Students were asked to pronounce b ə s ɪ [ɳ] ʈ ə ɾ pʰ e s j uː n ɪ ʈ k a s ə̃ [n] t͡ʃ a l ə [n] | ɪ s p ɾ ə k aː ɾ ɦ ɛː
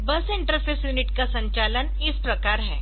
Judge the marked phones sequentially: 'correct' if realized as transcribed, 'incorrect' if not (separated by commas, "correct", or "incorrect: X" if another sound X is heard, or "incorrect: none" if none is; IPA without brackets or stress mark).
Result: correct, incorrect: ɲ, correct